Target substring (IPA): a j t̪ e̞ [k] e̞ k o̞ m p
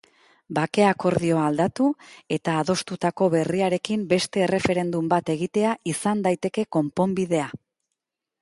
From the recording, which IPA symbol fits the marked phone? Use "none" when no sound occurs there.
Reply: k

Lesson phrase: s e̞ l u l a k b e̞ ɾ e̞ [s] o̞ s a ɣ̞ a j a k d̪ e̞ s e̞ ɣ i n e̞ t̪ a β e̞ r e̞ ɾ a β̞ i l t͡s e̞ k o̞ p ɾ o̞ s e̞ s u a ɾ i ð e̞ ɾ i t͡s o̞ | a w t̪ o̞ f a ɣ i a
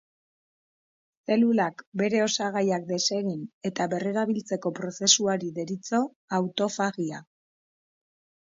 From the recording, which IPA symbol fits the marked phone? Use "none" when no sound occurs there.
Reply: none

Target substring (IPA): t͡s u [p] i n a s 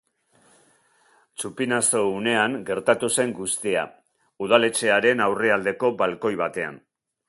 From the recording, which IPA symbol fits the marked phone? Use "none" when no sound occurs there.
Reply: p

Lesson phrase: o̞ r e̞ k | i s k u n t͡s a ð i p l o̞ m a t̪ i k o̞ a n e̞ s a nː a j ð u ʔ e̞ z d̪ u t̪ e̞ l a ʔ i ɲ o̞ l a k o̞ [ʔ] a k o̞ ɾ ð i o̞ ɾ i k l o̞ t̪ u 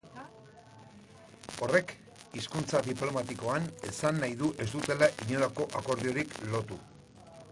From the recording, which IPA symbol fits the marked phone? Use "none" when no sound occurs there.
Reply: ʔ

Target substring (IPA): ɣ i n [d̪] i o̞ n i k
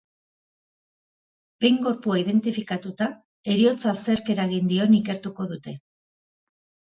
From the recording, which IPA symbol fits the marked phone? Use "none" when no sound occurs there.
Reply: d̪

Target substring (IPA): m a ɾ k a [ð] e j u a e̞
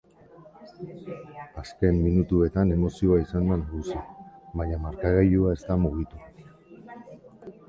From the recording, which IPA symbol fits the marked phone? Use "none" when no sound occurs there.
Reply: ɣ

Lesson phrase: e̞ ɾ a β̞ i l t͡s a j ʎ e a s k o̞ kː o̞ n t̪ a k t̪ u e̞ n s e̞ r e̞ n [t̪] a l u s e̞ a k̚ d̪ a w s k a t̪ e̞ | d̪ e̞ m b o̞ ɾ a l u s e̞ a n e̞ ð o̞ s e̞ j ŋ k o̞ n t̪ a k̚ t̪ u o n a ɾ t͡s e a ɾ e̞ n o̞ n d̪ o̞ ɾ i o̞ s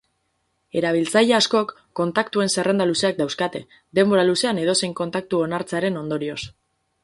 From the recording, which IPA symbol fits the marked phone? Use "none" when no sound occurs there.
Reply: d̪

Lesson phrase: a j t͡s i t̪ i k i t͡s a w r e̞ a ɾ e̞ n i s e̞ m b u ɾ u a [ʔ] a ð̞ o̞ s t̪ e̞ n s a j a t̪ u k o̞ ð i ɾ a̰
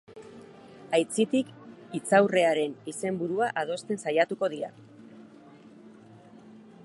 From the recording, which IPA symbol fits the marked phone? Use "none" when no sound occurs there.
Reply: ʔ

